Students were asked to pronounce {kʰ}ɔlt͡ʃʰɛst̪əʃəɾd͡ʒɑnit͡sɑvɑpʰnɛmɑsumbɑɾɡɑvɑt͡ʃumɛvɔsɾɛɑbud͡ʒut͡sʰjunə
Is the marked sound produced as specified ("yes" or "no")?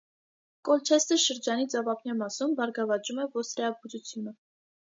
no